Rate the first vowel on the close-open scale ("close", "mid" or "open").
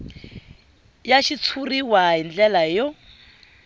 open